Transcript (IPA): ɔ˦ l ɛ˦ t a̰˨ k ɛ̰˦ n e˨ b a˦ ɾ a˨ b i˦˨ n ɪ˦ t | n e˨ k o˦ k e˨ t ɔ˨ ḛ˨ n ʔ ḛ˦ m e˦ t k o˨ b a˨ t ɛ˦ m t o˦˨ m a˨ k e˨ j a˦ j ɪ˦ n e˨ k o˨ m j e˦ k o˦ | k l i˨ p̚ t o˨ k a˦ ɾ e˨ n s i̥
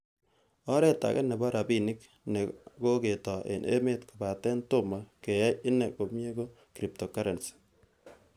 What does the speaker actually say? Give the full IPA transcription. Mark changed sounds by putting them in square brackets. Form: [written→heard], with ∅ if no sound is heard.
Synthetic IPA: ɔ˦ [l→ɾ] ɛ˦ t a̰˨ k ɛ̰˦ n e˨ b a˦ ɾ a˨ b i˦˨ n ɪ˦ [t→k] | n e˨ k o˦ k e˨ t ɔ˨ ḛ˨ n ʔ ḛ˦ m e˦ t k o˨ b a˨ t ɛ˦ [m→n] t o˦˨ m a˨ k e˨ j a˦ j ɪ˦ n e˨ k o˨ m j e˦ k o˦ | k [l→ɾ] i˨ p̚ t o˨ k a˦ ɾ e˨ n s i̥

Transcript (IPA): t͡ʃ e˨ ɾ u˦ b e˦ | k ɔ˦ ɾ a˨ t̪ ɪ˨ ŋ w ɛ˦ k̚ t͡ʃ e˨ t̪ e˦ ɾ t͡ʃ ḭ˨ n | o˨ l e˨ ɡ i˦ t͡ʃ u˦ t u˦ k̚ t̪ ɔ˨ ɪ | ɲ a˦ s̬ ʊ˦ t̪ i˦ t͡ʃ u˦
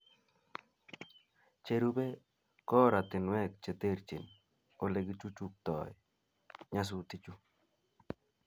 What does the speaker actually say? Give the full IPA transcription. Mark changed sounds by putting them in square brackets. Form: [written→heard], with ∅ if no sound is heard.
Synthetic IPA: t͡ʃ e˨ ɾ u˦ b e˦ | k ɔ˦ ɾ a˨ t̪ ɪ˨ [ŋ→n] w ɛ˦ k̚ t͡ʃ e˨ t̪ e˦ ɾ t͡ʃ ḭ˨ n | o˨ l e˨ ɡ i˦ t͡ʃ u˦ [t→t͡ʃ] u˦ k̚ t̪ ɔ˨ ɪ | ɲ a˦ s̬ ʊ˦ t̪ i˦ t͡ʃ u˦

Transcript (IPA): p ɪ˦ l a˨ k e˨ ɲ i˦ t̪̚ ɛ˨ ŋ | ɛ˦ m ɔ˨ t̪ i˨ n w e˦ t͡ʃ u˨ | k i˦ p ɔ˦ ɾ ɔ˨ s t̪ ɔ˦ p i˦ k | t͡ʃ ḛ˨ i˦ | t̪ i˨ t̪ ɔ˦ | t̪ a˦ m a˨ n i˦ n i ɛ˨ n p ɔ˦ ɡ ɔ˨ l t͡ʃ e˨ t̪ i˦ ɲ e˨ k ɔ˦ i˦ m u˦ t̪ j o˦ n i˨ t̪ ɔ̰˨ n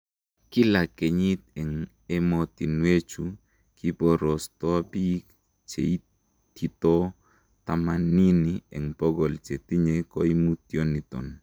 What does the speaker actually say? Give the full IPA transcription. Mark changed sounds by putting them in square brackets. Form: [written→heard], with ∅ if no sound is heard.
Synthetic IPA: [p→k] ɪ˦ l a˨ k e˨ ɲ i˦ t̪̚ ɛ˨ ŋ | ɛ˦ m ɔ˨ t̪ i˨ n w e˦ t͡ʃ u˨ | k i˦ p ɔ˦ ɾ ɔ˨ s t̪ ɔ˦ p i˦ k | t͡ʃ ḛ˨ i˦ | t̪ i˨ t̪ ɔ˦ | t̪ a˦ m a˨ n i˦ n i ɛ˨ [n→ŋ] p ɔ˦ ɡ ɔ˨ l t͡ʃ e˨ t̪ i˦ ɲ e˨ k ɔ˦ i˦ m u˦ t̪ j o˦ n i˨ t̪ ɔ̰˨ n

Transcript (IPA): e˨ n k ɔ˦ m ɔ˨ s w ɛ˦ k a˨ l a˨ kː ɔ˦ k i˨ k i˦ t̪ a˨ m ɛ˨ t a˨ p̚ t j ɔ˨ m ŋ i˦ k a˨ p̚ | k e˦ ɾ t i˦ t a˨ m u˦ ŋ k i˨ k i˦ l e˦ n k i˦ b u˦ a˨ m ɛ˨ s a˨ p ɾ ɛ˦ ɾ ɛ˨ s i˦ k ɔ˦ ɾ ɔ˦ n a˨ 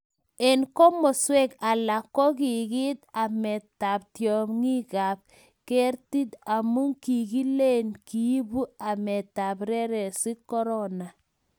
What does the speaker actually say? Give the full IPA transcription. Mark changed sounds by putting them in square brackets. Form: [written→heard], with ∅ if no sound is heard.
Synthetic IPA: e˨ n k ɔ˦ m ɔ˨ s w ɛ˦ k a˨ l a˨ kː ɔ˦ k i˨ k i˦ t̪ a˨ m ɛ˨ t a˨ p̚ t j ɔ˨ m ŋ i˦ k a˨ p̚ | k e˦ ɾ t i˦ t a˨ m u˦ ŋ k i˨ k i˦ l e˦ n k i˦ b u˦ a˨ m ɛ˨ [s→t] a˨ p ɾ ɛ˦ ɾ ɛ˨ s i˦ k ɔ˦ ɾ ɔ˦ n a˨

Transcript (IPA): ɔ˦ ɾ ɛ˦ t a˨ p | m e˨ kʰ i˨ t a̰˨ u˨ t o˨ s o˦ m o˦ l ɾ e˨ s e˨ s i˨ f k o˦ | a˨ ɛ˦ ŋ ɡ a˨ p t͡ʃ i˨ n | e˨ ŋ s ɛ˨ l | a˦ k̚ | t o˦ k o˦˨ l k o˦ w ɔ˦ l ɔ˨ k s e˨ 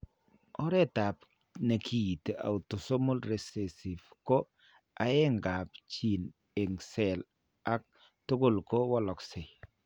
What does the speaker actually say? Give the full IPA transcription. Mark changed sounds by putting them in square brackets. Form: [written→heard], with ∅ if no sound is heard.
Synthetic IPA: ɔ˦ ɾ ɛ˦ t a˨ p | [m→n] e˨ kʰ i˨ t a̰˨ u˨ t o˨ s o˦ m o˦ l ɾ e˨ s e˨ s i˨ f k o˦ | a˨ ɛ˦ ŋ ɡ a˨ p t͡ʃ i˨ n | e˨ ŋ s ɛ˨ l | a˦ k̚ | t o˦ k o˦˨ l k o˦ w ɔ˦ l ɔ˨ k s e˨

